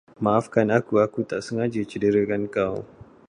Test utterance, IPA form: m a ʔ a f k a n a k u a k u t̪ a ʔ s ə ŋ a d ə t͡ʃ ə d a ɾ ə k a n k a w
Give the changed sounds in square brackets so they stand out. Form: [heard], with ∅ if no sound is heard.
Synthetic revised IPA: m a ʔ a f k a n a k u a k u t̪ a ʔ s ə ŋ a [d͡ʒ] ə t͡ʃ ə d [ə] ɾ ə k a n k a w